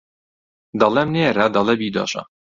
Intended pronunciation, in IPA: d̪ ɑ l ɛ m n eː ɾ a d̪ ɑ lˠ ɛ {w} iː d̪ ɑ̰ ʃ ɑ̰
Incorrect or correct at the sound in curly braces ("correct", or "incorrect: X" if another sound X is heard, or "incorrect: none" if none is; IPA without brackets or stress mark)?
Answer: incorrect: b